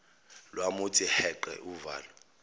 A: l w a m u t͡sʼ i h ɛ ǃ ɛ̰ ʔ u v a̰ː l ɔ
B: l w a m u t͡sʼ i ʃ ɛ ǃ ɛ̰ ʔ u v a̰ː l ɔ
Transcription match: A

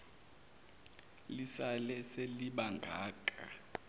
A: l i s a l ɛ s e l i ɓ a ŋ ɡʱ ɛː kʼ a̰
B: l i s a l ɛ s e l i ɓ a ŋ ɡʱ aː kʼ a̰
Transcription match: B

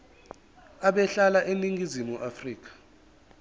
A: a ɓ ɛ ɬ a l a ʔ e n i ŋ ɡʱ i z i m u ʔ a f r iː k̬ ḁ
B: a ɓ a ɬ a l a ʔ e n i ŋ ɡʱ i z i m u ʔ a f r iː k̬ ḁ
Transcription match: A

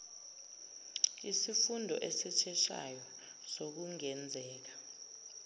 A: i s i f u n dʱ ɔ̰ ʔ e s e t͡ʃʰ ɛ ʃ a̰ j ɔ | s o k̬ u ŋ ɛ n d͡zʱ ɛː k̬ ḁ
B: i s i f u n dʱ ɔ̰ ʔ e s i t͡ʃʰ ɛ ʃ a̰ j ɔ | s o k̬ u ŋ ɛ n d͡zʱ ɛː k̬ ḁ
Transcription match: B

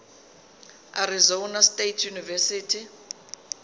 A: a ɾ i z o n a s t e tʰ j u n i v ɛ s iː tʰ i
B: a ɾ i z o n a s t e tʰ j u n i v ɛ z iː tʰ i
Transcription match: A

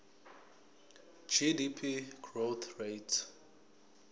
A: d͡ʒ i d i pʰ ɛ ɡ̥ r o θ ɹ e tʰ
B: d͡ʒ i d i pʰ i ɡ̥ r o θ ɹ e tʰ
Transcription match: B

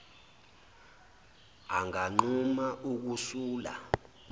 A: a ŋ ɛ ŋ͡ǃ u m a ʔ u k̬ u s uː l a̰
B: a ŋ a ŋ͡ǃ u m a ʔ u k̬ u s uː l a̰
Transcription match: B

